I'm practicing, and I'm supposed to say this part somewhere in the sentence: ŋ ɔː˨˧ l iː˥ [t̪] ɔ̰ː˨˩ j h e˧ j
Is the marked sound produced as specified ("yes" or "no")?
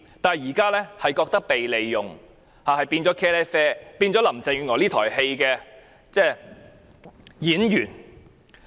no